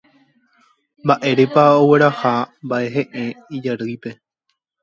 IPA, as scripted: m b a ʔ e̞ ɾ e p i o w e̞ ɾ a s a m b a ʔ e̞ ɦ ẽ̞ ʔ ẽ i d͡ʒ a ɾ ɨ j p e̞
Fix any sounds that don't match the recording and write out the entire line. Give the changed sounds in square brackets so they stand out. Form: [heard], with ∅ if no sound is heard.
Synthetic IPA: m b a ʔ e̞ ɾ e p [a] o w e̞ ɾ a [h] a m b a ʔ e̞ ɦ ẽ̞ ʔ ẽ i d͡ʒ a ɾ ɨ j p e̞